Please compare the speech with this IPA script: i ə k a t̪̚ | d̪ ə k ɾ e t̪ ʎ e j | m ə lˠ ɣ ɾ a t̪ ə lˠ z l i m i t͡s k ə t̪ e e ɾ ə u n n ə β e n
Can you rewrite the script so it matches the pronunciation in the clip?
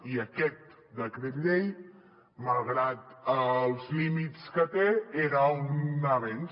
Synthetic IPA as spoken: i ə k ɛ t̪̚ | d̪ ə k ɾ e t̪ ʎ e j | m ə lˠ ɣ ɾ a t̪ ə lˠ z l i m i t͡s k ə t̪ e e ɾ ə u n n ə β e n